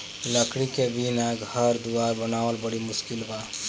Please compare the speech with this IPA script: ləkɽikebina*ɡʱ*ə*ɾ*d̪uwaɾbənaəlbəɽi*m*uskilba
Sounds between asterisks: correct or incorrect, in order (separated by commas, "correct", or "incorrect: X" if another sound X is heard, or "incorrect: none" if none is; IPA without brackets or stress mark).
correct, correct, correct